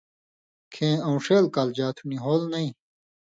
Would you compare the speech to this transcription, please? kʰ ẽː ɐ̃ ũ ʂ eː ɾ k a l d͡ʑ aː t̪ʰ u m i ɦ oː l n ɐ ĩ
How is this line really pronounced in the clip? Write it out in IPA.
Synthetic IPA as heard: kʰ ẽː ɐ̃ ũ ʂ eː l k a l d͡ʑ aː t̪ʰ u n i ɦ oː l n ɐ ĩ